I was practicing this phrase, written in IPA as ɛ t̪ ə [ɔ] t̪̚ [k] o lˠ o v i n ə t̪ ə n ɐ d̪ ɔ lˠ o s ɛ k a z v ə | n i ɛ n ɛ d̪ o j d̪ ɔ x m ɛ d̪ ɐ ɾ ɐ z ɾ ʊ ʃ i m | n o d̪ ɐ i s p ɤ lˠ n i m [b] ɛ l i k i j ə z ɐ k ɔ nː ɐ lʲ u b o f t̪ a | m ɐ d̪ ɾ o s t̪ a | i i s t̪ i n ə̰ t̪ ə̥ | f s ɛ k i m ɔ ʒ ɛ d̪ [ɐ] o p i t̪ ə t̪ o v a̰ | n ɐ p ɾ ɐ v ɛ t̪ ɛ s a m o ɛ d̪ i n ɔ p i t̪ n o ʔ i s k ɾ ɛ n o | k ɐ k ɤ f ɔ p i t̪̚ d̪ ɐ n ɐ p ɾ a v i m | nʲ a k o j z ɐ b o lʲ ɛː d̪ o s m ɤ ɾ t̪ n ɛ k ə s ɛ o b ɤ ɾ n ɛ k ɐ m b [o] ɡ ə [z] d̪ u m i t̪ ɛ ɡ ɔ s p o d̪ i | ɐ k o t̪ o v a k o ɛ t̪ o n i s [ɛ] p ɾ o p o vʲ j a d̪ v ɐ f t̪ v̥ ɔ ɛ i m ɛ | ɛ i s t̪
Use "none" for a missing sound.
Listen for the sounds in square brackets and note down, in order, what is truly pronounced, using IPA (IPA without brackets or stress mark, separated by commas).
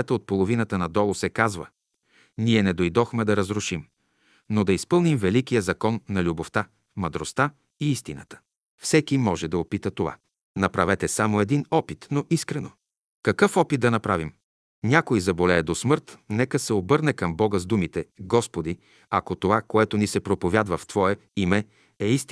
o, p, v, ɐ, ɔ, z, ɛ